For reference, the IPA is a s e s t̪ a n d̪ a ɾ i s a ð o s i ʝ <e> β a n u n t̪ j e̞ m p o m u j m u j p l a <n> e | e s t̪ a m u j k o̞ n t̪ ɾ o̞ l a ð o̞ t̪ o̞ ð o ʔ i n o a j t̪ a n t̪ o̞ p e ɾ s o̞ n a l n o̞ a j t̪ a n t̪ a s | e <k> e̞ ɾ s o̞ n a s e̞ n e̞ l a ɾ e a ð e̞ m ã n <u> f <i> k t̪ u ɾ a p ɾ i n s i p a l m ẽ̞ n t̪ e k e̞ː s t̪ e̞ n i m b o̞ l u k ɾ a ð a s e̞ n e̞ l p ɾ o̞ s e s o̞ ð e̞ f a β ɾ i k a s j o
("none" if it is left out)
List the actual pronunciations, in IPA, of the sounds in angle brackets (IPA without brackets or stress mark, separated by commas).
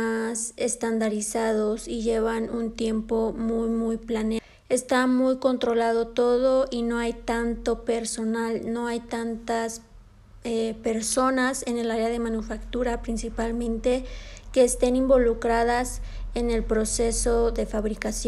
e, n, p, u, a